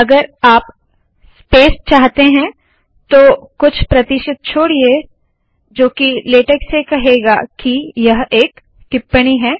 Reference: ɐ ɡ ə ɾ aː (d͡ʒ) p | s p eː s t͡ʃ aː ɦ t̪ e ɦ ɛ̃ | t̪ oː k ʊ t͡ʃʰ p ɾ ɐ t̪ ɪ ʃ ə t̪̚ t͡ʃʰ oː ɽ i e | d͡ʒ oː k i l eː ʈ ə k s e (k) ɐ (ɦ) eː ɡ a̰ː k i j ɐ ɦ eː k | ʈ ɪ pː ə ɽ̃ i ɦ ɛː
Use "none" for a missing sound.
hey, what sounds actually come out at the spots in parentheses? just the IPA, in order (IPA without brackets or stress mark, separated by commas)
none, k, ɦ